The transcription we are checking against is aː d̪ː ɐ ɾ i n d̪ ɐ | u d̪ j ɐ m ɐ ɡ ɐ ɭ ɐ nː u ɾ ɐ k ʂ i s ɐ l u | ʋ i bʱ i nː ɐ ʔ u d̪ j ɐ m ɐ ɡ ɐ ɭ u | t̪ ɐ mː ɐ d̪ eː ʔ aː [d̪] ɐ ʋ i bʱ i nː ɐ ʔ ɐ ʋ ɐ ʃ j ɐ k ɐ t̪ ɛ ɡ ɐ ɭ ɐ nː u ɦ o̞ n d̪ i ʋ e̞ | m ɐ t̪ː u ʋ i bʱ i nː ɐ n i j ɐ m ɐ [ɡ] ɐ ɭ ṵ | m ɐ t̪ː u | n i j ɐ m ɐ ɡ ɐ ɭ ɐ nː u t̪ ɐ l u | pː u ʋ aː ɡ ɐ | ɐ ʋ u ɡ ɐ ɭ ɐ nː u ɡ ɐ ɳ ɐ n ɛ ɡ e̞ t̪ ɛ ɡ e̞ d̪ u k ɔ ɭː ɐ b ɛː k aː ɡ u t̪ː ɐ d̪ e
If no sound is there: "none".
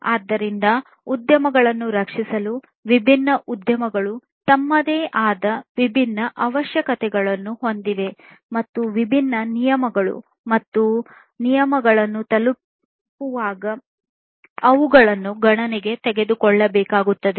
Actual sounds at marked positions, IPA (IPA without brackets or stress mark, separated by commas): d̪, ɡ